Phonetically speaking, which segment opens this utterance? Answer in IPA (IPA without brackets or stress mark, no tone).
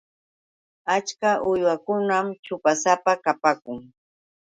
a